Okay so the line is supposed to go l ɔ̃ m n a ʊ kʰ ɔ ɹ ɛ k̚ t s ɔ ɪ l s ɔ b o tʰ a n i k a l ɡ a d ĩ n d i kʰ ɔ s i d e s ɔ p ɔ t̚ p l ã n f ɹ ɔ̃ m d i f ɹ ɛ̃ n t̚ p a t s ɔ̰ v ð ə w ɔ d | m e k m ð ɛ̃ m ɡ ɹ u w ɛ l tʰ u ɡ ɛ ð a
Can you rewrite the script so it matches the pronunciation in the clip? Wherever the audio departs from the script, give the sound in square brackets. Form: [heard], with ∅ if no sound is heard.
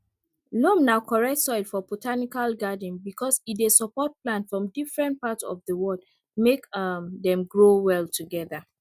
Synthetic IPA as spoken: l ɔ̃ m n a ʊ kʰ ɔ ɹ ɛ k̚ t s ɔ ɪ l [f] ɔ b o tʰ a n i k a l ɡ a d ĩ n [b] i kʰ ɔ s i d e s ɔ p ɔ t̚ p l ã n f ɹ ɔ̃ m d i f ɹ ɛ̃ n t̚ p a t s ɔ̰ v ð ə w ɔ d | m e k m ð ɛ̃ m ɡ ɹ [o] w ɛ l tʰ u ɡ ɛ ð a